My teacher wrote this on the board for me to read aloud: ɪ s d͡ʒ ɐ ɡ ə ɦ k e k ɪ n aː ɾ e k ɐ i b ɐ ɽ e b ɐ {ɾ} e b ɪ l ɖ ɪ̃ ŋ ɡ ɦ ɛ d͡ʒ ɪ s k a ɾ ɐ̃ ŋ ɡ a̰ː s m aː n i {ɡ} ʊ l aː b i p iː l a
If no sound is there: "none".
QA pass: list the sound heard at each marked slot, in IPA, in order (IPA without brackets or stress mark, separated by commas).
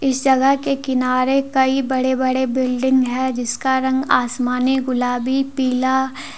ɽ, ɡ